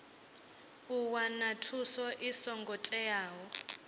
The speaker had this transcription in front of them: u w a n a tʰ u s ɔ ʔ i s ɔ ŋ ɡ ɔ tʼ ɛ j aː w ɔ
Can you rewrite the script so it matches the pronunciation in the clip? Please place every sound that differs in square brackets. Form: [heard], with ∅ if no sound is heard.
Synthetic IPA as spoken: u w a n a tʰ u s ɔ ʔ i s ɔ ŋ ɡ ɔ tʼ ɛ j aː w ɔ